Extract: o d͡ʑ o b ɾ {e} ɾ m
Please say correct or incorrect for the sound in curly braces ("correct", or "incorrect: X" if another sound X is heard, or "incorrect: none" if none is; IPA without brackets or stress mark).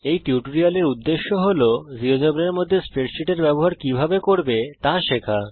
correct